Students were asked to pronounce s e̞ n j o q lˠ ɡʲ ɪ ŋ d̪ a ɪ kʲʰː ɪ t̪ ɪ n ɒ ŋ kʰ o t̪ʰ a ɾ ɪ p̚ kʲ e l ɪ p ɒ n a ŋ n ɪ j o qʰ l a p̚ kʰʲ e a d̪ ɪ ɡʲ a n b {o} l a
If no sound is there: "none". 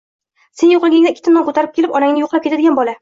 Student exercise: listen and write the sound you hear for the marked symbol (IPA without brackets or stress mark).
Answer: ɒ